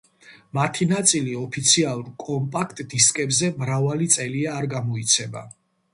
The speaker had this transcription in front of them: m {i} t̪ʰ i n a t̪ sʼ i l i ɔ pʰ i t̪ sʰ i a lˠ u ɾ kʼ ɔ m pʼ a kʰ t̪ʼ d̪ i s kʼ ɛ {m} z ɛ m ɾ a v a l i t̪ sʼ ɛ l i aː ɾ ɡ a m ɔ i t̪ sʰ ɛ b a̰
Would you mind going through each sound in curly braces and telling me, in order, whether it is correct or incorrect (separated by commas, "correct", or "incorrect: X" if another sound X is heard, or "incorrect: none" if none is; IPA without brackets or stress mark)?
incorrect: a, incorrect: b